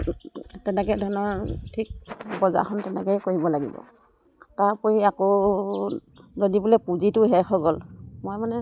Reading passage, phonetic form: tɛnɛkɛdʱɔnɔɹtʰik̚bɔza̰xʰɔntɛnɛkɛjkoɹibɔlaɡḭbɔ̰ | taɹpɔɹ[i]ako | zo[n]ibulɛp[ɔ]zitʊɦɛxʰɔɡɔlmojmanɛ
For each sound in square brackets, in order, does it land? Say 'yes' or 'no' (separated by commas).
yes, no, no